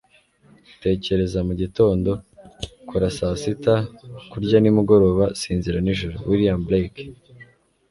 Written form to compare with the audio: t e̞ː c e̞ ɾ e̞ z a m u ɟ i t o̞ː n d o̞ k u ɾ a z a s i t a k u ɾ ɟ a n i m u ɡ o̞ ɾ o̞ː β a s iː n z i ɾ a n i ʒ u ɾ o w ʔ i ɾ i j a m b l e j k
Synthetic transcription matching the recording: t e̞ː c e̞ ɾ e̞ z a m u ɟ i t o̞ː n d o̞ k u ɾ a s a s i t a k u ɾ ɟ a n i m u ɡ o̞ ɾ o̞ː β a s iː n z i ɾ a n i ʒ u ɾ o w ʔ i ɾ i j a m b l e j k